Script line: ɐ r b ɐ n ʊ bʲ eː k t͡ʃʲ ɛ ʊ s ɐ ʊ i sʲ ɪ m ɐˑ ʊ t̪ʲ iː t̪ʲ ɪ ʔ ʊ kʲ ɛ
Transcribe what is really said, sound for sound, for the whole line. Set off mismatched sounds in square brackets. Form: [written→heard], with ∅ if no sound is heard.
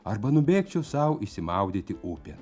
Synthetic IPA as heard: ɐ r b ɐ n ʊ bʲ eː k t͡ʃʲ ɛ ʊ s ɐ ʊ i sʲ ɪ m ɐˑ ʊ [t̪ʲ→d̪ʲ] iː t̪ʲ ɪ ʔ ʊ [kʲ→pʲ] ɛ